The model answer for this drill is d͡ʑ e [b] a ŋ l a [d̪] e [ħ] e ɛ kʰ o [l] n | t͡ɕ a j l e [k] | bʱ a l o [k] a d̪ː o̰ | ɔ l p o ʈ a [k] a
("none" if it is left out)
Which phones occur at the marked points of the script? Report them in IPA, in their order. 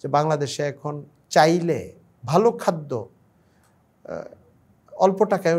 b, d̪, ʃ, none, none, kʰ, k

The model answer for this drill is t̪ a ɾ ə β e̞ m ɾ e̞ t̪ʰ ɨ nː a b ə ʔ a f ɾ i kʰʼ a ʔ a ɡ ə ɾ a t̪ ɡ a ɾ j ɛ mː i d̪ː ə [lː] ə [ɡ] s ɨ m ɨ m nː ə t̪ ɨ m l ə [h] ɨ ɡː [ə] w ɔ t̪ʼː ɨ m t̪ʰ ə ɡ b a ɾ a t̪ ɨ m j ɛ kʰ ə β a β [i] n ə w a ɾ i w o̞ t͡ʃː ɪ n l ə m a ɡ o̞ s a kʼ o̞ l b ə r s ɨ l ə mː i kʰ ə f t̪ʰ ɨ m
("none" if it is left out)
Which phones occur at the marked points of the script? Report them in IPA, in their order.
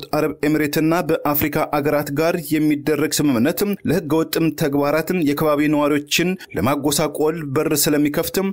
rː, ɡ, h, ə, i

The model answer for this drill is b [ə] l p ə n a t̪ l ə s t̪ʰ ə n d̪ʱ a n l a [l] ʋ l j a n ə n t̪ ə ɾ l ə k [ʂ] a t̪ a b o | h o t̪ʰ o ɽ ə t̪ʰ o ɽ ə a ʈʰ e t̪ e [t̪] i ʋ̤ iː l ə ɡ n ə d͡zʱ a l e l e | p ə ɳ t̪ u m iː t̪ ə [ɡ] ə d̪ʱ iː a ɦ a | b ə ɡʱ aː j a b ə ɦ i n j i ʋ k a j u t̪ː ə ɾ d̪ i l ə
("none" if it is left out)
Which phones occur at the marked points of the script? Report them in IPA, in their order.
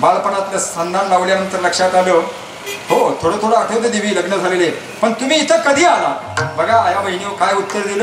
a, none, ʂ, d̪, k

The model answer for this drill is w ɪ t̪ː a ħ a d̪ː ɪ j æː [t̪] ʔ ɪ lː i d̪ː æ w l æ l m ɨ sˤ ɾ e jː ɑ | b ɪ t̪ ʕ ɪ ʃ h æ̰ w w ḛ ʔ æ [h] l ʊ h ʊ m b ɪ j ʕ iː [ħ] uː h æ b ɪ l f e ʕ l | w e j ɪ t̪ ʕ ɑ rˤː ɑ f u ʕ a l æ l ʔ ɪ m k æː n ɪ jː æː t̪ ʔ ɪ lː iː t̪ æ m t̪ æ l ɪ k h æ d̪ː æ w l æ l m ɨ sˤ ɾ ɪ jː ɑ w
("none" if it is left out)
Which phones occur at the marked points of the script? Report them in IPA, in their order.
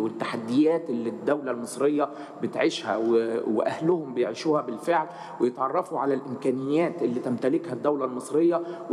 t̪, h, ʃ

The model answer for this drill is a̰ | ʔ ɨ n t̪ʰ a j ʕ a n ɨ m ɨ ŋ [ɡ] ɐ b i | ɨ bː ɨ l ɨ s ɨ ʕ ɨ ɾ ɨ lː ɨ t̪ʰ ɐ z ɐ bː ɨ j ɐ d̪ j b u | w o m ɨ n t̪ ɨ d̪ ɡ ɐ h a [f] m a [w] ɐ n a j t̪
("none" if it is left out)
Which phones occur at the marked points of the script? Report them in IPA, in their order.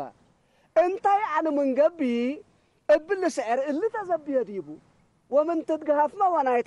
ɡ, f, w

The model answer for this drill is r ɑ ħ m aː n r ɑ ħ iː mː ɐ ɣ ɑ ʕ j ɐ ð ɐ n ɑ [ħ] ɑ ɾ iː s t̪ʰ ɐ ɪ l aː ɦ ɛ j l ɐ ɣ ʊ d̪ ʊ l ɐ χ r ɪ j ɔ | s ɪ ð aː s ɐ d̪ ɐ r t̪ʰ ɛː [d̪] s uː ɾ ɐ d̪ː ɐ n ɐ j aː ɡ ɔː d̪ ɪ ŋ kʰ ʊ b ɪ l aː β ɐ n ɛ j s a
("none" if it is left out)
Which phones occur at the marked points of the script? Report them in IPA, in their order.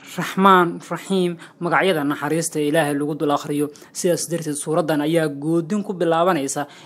ħ, d̪

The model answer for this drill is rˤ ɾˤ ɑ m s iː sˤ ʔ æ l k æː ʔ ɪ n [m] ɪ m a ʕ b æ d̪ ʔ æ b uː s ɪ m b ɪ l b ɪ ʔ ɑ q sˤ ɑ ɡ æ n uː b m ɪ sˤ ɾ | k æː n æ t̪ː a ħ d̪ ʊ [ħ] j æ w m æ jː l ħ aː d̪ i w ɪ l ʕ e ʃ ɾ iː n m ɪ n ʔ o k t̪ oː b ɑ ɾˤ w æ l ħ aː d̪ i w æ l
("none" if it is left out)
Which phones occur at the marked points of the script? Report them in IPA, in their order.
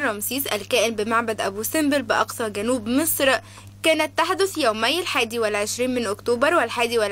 b, θ

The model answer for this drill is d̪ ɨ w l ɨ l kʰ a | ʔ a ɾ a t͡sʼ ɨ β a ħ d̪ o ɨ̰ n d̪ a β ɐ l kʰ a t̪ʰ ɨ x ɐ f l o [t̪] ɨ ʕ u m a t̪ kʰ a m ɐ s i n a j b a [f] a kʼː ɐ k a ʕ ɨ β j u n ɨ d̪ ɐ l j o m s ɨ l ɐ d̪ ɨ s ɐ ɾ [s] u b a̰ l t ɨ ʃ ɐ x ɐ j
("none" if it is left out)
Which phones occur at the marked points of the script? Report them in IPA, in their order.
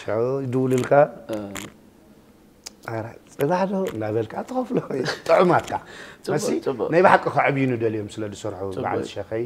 t̪ʼ, ħ, ħ

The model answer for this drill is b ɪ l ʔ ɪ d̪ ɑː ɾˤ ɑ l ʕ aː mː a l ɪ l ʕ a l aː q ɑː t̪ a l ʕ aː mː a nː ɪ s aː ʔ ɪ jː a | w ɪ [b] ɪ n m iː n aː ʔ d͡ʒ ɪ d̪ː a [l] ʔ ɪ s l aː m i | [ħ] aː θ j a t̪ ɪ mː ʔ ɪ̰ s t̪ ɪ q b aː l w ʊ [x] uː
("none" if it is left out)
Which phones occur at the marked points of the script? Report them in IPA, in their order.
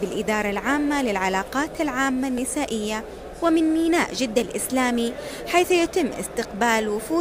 m, l, ħ, f

